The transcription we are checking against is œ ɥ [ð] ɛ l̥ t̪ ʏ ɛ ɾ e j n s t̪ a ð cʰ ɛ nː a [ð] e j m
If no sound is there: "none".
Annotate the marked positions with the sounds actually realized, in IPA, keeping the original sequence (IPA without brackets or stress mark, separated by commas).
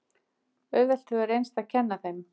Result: v, θ